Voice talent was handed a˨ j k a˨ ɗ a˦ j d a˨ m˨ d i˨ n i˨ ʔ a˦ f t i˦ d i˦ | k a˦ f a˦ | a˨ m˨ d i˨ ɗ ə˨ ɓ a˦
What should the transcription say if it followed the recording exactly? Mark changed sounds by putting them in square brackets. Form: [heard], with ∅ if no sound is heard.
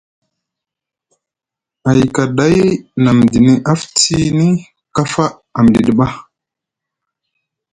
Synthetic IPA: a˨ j k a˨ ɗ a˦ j [n] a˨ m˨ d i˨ n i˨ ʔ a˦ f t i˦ [n] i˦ | k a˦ f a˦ | a˨ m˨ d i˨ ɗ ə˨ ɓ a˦